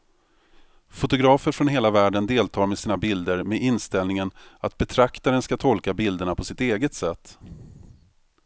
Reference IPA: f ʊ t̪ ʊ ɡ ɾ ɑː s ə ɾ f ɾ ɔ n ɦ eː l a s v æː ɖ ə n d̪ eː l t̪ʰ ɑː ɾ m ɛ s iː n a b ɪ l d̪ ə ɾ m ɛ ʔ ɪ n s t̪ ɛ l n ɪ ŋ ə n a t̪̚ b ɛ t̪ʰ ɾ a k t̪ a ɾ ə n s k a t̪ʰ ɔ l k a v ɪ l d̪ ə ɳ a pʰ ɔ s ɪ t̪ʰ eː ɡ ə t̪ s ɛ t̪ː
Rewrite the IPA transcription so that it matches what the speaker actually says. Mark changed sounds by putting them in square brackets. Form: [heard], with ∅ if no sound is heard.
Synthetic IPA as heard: f ʊ t̪ ʊ ɡ ɾ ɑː [f] ə ɾ f ɾ ɔ n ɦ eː l a [∅] v æː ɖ ə n d̪ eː l t̪ʰ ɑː ɾ m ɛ s iː n a b ɪ l d̪ ə ɾ m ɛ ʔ ɪ n s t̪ ɛ l n ɪ ŋ ə n a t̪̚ b ɛ t̪ʰ ɾ a k t̪ a ɾ ə n s k a t̪ʰ ɔ l k a [b] ɪ l d̪ ə ɳ a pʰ ɔ s ɪ [t̪] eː ɡ ə t̪ s ɛ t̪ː